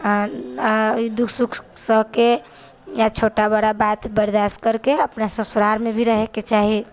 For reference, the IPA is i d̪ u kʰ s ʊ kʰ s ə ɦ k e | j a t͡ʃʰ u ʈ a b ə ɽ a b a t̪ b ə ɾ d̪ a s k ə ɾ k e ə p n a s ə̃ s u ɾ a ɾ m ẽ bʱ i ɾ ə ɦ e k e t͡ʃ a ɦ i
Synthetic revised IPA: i d̪ u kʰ s u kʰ s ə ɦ k e | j a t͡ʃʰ o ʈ a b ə ɽ a b a t̪ b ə ɾ d̪ a s k ə ɾ k e ə p n a s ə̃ s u ɾ a ɾ m e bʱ i ɾ ə ɦ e k e t͡ʃ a ɦ i